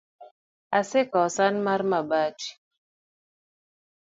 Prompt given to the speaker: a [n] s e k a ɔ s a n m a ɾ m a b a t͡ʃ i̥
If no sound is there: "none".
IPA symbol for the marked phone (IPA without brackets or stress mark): none